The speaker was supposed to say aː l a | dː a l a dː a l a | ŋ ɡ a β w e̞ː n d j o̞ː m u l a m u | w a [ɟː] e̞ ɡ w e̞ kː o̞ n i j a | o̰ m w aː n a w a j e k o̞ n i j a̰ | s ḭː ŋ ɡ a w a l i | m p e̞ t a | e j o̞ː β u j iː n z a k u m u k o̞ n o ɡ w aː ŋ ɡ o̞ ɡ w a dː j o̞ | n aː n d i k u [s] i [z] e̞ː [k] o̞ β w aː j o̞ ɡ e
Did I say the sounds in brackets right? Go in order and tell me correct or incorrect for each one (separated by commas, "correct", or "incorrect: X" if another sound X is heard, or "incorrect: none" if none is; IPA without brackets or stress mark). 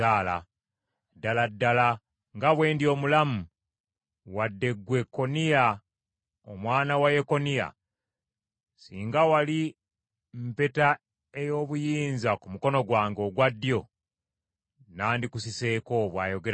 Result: incorrect: dː, correct, incorrect: s, correct